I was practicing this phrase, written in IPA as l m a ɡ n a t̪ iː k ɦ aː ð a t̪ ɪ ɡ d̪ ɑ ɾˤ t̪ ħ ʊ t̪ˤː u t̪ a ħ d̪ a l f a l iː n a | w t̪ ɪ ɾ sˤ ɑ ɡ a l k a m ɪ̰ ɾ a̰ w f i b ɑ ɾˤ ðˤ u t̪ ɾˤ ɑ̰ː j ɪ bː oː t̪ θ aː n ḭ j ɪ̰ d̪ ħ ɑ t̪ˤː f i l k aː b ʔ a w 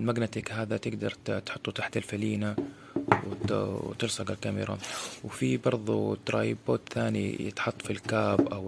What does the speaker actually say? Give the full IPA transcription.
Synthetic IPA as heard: l m a ɡ n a t̪ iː k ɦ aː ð a t̪ ɪ ɡ d̪ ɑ ɾˤ t̪ ħ ʊ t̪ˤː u t̪ a ħ t̪ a l f a l iː n a | w t̪ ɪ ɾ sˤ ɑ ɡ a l k a m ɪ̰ ɾ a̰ w f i b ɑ ɾˤ ðˤ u t̪ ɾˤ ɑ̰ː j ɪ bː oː t̪ θ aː n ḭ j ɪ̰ t̪ ħ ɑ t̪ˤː f i l k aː b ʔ a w